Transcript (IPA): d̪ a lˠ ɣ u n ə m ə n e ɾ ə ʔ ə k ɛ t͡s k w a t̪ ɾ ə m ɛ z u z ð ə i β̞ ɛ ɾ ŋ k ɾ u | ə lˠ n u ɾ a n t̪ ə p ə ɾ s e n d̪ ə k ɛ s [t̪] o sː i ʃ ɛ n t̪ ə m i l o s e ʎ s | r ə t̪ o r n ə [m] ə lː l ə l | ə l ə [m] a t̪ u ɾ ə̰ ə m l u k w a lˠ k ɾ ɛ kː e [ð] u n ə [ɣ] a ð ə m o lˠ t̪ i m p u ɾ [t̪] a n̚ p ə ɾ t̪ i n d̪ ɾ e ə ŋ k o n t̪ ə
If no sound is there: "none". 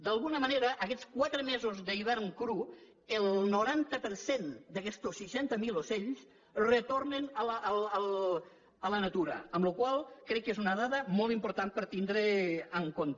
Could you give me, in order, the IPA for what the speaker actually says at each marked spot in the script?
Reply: t̪, n, n, z, ð, t̪

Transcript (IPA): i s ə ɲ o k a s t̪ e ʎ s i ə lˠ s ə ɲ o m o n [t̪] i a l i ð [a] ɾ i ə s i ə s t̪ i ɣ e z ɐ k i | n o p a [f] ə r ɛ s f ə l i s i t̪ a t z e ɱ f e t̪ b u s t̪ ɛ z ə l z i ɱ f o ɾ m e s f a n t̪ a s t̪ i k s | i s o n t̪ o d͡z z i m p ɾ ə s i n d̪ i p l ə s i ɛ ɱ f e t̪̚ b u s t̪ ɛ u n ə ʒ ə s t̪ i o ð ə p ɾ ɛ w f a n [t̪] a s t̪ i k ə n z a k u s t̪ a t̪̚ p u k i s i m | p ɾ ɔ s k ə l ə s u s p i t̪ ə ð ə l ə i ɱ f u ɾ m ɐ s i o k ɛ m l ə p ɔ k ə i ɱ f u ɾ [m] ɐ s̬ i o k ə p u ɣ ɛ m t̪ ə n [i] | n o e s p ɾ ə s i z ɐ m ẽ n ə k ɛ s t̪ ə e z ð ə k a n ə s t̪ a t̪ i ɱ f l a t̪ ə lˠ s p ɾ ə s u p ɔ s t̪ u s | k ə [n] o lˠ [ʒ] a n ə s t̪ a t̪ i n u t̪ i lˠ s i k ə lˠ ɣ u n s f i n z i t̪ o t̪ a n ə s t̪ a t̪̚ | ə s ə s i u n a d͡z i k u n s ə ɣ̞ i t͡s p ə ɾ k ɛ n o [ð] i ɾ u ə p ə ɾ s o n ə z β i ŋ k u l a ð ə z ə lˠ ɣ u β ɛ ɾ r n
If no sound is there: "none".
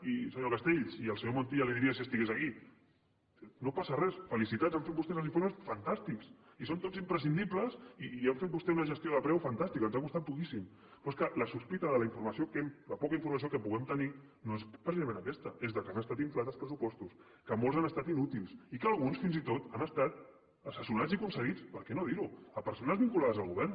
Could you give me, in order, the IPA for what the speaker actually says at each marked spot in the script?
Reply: t̪, i, s, t̪, m, i, m, z, ð

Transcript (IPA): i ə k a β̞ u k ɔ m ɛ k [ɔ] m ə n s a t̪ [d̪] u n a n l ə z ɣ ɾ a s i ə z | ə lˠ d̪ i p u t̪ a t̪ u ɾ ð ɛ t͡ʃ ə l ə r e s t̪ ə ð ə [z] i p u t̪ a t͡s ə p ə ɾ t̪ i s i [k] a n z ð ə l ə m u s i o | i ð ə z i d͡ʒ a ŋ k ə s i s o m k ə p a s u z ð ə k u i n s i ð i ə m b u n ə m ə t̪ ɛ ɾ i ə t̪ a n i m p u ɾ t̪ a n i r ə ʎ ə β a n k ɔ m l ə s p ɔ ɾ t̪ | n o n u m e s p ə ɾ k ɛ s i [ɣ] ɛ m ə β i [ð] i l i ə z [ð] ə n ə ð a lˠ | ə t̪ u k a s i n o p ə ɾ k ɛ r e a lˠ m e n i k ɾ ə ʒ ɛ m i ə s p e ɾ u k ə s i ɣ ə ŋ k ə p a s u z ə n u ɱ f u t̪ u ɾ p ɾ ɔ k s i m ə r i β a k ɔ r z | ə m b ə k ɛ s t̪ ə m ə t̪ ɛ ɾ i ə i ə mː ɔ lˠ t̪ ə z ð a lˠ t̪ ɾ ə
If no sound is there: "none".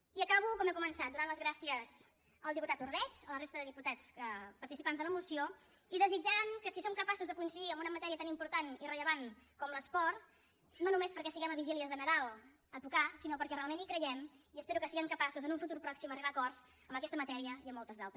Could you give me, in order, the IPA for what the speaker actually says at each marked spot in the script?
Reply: u, d̪, ð, p, ɣ, ʒ, ð

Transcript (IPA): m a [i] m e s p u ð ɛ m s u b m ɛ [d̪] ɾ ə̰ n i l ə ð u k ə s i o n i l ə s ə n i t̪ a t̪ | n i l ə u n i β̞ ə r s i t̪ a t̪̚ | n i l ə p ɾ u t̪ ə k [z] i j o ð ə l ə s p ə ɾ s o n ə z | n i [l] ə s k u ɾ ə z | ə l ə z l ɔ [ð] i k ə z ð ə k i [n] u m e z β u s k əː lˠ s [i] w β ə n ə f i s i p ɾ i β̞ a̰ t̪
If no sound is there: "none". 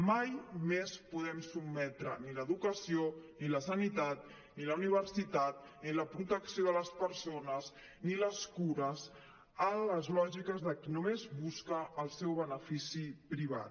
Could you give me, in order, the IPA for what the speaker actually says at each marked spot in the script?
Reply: j, t̪, s, l, ʒ, n, ɛ

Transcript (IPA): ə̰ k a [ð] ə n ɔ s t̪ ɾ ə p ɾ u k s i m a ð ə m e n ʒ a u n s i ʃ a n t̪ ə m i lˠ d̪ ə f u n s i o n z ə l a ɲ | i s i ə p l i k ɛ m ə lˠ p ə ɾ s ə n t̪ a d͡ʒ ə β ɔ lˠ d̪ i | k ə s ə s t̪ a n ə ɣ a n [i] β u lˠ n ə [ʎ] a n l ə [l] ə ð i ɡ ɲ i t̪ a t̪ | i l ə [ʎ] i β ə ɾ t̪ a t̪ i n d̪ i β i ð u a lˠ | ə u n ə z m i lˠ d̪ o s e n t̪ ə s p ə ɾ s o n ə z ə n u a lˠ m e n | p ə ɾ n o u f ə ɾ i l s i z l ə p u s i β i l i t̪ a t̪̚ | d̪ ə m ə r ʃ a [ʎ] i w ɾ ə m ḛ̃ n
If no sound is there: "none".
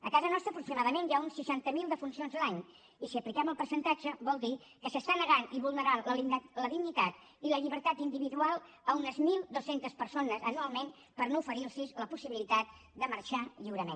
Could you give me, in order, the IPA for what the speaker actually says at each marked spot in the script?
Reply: z, i, ɾ, l, ʎ, ʎ

